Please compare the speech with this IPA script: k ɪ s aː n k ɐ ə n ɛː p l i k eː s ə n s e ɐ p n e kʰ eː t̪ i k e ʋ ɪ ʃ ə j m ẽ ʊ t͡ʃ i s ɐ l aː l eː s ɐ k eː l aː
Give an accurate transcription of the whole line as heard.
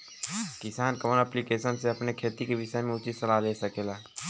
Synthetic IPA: k ɪ s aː n k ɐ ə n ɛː p l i k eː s ə n s e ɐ p n e kʰ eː t̪ i k e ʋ ɪ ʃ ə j m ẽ ʊ t͡ʃ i s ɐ l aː l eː s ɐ k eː l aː